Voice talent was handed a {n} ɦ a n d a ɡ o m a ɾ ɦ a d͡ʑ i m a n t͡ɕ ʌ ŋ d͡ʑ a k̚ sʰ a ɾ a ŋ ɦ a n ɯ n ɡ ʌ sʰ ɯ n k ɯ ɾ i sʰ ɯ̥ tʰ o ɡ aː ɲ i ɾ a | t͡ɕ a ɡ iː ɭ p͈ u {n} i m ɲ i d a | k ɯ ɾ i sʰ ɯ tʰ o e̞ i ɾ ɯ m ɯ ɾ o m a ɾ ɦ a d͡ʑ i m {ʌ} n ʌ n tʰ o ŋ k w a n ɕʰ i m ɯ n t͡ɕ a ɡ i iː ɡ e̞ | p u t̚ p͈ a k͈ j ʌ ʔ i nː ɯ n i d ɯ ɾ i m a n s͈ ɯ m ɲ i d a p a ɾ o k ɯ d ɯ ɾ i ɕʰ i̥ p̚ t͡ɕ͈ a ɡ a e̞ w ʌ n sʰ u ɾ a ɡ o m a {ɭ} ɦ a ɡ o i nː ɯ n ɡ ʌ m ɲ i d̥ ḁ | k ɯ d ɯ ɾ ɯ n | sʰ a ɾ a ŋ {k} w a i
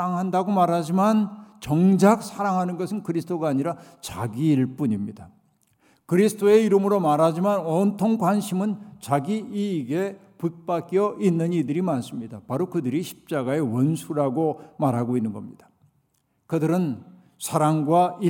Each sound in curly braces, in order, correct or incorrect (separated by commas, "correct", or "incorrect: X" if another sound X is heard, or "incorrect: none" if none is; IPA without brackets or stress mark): incorrect: ŋ, incorrect: ɲ, incorrect: a, incorrect: ɾ, incorrect: ɡ